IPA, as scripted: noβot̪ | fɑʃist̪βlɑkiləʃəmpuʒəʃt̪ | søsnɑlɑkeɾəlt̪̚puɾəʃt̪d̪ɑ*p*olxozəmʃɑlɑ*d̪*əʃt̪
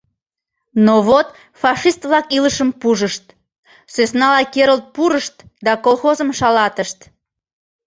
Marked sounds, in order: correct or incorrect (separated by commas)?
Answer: incorrect, incorrect